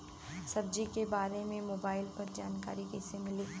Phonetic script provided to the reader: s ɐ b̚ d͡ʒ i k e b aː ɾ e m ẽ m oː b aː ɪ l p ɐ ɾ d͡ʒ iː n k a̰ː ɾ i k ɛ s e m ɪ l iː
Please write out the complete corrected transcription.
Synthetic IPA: s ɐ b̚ d͡ʒ i k e b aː ɾ e m ẽ m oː b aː ɪ l p ɐ ɾ d͡ʒ aː n k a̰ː ɾ i k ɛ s e m ɪ l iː